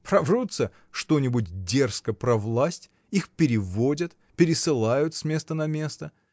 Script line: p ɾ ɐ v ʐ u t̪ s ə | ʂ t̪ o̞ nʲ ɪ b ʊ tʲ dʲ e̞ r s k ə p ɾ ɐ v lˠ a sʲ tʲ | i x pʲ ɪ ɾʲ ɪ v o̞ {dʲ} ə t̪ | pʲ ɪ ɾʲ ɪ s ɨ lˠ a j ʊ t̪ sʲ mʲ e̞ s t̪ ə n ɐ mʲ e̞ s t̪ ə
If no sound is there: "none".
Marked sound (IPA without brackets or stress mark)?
dʲ